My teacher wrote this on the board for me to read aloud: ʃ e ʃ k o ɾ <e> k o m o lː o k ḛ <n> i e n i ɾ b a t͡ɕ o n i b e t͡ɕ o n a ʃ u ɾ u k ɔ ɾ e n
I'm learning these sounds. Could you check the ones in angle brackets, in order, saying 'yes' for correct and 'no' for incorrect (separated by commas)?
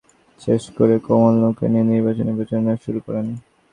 yes, yes